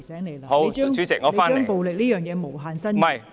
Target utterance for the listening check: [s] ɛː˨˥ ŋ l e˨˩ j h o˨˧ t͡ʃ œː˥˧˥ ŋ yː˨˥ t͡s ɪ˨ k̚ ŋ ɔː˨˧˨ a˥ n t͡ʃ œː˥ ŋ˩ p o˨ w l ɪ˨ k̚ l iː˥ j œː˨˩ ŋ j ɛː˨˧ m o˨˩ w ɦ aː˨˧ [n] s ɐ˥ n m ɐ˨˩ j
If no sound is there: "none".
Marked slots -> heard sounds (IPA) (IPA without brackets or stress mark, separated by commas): s, n